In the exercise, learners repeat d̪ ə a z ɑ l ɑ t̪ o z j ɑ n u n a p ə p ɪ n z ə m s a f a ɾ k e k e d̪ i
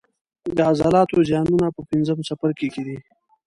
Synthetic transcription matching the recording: d̪ ə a z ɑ l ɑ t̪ o z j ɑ n u n a p ə p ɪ n z ə m s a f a ɾ k e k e d̪ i